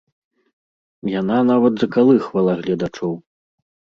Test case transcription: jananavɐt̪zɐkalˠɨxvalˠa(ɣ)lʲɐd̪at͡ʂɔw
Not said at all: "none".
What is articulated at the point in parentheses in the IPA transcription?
ɣ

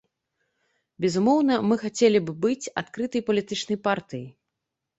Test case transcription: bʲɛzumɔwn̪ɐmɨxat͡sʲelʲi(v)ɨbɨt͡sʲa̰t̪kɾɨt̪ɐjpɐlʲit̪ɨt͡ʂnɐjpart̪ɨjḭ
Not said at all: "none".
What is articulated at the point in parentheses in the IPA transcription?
b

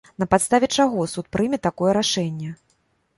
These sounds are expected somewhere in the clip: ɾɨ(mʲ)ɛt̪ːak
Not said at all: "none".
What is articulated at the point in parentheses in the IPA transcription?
mʲ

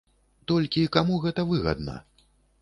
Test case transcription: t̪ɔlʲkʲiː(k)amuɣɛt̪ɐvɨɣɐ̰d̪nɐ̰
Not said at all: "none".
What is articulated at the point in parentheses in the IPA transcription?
k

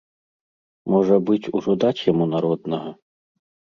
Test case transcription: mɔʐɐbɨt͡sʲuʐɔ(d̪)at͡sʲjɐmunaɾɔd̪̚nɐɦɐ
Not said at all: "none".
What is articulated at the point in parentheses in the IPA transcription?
d̪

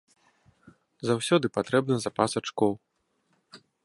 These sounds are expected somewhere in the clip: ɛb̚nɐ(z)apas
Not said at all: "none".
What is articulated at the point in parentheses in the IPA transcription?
z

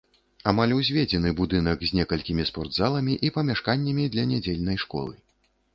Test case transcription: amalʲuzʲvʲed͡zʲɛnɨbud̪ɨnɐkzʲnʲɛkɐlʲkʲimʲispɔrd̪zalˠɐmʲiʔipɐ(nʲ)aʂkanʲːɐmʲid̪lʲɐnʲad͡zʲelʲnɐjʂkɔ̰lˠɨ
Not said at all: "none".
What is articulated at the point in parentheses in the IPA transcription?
mʲ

